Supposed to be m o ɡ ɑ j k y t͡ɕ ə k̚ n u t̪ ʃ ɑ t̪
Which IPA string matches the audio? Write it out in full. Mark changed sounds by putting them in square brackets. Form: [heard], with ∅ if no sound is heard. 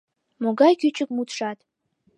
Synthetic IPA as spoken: m o ɡ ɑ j k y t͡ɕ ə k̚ [m] u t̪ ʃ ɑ t̪